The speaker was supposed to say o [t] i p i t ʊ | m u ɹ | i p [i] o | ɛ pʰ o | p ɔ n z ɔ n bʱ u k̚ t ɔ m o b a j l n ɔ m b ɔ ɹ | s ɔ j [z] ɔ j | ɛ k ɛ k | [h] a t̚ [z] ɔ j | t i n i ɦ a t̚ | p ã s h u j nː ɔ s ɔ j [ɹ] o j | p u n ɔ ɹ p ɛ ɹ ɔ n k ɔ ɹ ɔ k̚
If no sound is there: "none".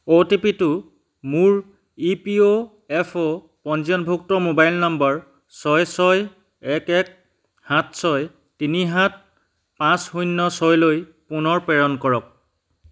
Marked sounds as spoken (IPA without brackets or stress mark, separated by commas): t, i, s, h, s, l